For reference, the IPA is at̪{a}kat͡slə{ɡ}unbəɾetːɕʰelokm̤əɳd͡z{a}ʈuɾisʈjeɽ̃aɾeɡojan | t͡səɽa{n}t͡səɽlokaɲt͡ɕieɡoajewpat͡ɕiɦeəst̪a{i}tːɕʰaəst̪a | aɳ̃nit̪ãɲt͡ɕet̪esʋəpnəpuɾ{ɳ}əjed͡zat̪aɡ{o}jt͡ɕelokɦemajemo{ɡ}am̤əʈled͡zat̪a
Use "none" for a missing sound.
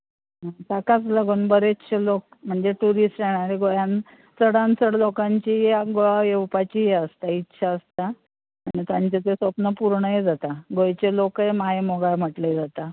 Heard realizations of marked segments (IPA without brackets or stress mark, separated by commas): a, ɡ, e, n, i, ɳ, o, ɡ